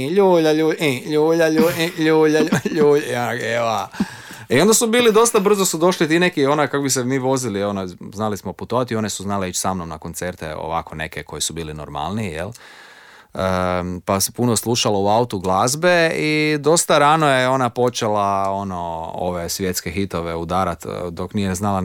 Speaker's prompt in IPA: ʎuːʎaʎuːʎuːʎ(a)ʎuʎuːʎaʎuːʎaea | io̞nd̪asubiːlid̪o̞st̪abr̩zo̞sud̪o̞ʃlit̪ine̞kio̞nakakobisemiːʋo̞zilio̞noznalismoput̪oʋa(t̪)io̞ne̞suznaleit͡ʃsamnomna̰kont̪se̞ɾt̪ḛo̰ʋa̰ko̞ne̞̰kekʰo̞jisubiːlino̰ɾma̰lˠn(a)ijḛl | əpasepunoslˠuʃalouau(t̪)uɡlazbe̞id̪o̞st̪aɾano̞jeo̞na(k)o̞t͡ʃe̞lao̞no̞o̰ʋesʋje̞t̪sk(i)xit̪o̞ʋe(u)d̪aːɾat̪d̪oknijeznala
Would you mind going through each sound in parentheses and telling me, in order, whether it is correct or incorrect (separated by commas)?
correct, correct, incorrect, correct, incorrect, incorrect, correct